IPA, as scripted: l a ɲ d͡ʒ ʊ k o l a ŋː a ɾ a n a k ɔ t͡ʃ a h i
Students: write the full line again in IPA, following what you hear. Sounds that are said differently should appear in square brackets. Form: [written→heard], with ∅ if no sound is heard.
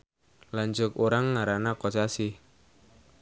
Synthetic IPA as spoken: l a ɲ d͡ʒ ʊ k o [l→ɾ] a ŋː a ɾ a n a k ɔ t͡ʃ a [h→s] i